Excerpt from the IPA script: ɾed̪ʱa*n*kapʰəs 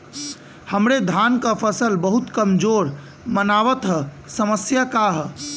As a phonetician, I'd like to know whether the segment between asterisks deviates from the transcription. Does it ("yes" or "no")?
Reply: no